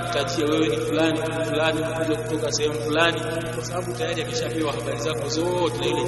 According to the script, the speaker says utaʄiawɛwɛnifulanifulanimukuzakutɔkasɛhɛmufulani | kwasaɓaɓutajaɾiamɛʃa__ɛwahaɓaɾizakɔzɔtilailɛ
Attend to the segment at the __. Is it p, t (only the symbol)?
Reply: p